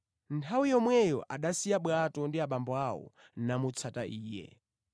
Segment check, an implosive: present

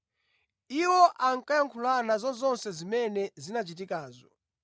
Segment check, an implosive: absent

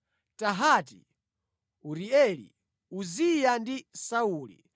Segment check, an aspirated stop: absent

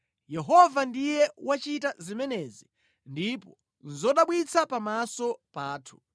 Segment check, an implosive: present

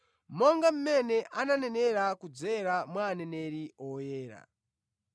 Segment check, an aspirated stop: absent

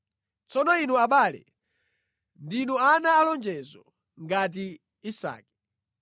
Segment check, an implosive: present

